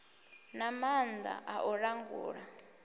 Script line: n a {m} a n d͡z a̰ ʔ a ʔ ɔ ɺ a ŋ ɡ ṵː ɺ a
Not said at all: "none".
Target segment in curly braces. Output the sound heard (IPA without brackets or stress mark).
m